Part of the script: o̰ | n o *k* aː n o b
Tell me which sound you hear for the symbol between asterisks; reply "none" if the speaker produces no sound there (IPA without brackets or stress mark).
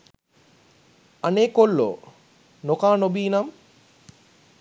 k